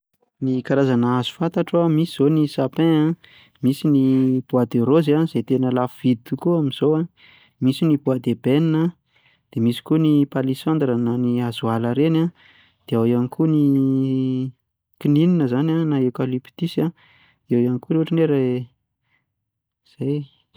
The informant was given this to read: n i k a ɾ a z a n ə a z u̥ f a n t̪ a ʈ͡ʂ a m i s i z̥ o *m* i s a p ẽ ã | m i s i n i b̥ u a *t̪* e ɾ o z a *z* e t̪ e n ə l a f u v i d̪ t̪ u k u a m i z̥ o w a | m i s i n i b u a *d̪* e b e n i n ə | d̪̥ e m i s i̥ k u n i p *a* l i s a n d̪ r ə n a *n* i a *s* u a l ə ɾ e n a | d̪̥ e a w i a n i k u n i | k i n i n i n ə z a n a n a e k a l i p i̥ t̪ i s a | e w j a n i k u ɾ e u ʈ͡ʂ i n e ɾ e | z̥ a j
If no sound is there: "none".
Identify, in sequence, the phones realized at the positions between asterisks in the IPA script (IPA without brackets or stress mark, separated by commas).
n, d̪, z, d̪, a, n, z